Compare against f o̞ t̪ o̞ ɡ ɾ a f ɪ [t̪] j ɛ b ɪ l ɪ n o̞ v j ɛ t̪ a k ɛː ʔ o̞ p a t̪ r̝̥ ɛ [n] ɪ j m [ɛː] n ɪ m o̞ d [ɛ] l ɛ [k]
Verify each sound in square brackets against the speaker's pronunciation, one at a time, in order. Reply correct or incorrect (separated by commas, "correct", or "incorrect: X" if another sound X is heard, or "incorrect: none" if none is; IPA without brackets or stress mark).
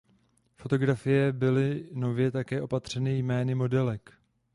incorrect: none, correct, correct, correct, correct